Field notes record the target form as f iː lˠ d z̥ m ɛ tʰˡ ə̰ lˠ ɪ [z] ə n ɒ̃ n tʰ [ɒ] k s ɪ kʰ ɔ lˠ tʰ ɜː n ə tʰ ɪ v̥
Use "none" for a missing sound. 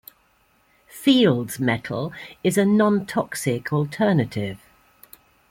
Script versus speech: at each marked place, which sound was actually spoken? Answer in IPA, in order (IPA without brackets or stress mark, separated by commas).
z, ɒ